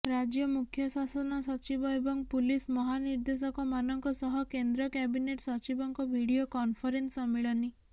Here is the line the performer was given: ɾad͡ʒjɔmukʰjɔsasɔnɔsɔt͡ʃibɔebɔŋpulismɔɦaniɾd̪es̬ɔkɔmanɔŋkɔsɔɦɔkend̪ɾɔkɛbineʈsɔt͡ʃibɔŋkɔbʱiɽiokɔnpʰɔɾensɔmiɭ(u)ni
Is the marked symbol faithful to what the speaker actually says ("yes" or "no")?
no